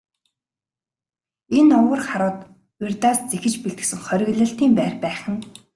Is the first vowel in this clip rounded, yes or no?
no